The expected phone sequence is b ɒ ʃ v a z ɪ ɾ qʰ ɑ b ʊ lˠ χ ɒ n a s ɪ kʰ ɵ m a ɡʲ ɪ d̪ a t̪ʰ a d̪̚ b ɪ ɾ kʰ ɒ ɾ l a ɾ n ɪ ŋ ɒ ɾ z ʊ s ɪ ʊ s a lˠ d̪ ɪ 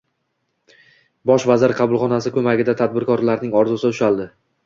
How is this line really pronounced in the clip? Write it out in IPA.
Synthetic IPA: b ɒ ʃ v a z ɪ ɾ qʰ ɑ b ʊ lˠ χ ɒ n a s ɪ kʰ ɵ m a ɡʲ ɪ d̪ a t̪ʰ a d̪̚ b ɪ ɾ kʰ ɒ ɾ l a ɾ n ɪ ŋ ɒ ɾ z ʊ s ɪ ʊ ʃ a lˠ d̪ ɪ